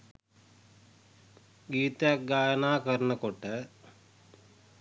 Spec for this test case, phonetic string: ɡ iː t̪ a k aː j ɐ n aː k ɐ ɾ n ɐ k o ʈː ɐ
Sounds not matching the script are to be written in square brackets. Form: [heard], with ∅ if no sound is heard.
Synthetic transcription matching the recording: ɡ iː t̪ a [ɡ] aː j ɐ n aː k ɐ ɾ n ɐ k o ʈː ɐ